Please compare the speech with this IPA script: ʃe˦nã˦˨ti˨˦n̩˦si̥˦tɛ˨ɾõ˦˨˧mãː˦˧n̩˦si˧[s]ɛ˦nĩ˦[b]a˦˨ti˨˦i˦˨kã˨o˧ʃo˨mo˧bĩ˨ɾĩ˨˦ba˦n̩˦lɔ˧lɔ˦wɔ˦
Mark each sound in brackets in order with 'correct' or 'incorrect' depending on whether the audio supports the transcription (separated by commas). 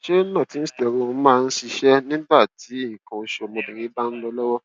incorrect, correct